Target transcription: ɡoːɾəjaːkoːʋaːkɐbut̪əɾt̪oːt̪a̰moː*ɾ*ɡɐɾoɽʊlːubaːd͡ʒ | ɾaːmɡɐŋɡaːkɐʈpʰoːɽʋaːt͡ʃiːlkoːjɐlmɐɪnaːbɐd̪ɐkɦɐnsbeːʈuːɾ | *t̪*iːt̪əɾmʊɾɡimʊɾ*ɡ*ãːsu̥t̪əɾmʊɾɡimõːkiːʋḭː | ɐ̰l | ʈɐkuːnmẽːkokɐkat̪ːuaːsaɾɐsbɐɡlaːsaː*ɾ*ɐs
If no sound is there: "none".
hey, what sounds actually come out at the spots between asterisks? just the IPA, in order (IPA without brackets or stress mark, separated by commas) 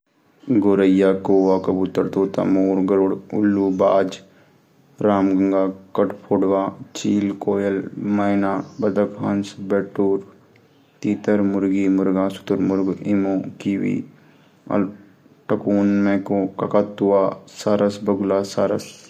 ɾ, t̪, ɡ, ɾ